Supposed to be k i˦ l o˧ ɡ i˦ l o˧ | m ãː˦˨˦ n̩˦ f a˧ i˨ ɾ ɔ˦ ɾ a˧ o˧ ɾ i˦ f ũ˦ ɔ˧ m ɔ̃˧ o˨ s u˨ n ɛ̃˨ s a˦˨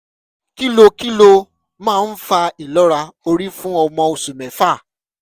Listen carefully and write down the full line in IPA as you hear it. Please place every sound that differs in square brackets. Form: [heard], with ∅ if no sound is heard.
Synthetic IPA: k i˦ l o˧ [k] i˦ l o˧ | m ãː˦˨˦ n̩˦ f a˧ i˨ [l] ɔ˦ ɾ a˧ o˧ ɾ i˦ f ũ˦ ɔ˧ m ɔ̃˧ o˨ s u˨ [m] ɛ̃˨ [f] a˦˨